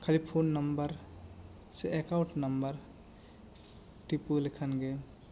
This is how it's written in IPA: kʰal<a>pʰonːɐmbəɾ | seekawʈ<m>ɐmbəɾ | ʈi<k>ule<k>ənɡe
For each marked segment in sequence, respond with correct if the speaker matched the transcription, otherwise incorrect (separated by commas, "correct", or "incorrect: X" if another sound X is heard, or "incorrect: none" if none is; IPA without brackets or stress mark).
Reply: incorrect: i, incorrect: n, incorrect: p, incorrect: kʰ